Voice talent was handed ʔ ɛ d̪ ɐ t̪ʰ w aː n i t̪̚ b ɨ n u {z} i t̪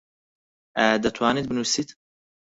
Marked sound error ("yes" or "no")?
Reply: yes